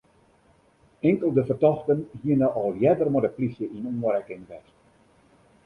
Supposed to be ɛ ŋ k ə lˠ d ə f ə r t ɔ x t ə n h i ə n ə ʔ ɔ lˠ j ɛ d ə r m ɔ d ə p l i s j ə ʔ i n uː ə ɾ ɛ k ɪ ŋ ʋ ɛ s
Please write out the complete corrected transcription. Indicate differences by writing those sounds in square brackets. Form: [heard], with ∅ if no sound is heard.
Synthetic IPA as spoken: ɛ ŋ k ə lˠ d ə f ə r t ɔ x t ə n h i ə n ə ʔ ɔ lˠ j ɛ d ə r m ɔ d ə p l i s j ə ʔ i n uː ə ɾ ɛ k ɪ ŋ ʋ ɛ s